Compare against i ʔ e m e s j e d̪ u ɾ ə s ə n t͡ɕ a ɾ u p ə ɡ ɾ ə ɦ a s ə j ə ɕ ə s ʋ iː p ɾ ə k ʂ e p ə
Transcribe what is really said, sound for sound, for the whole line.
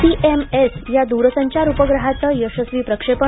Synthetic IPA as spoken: i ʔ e m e s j a d̪ u ɾ ə s ə ɲ t͡ɕ a ɾ u p ə ɡ ɾ ə ɦ a t͡s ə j ə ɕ ə s ʋ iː p ɾ ə k ʂ e p ə